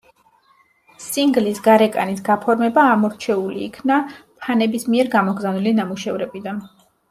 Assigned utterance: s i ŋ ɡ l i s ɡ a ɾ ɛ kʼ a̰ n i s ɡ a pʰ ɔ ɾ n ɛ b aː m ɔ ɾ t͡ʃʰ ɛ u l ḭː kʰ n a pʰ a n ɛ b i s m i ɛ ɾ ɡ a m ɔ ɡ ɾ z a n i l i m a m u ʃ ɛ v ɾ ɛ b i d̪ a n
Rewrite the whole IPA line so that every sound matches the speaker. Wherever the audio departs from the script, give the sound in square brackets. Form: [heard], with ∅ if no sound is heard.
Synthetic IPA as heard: s i ŋ ɡ l i s ɡ a ɾ ɛ kʼ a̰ n i s ɡ a pʰ ɔ ɾ [m] ɛ b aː m ɔ ɾ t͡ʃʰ ɛ u l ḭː kʰ n a pʰ a n ɛ b i s m i ɛ ɾ ɡ a m ɔ ɡ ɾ z a n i l i [n] a m u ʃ ɛ v ɾ ɛ b i d̪ a n

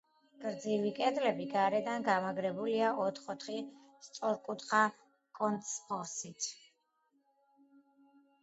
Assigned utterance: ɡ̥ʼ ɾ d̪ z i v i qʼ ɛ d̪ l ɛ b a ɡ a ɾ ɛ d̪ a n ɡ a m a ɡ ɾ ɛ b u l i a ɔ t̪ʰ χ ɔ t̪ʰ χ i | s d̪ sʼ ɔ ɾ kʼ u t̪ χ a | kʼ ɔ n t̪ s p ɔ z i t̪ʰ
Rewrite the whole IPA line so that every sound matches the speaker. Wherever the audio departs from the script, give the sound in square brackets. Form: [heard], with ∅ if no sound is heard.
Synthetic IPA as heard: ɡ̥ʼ ɾ d̪ z i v i [kʼ] ɛ d̪ l ɛ b [i] ɡ a ɾ ɛ d̪ a n ɡ a m a ɡ ɾ ɛ b u l i a ɔ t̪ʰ χ ɔ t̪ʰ χ i | s [t̪] sʼ ɔ ɾ kʼ u t̪ χ a | kʼ ɔ n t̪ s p ɔ [s] i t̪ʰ

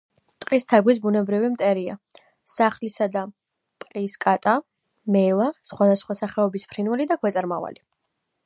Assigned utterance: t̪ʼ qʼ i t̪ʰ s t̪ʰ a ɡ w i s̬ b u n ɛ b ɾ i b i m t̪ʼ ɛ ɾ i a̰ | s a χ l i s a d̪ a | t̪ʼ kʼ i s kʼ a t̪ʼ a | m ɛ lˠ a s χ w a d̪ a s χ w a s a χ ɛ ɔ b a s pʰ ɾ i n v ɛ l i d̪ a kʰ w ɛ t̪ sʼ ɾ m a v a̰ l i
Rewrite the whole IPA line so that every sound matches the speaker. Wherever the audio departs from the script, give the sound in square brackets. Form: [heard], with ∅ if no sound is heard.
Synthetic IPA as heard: t̪ʼ qʼ i [∅] s t̪ʰ a ɡ w i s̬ b u n ɛ b ɾ i [v] i m t̪ʼ ɛ ɾ i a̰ | s a χ l i s a d̪ a | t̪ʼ [qʼ] i s kʼ a t̪ʼ a | m ɛ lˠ a s χ w a d̪ a s χ w a s a χ ɛ ɔ b [i] s pʰ ɾ i n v ɛ l i d̪ a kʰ w ɛ t̪ sʼ ɾ m a v a̰ l i

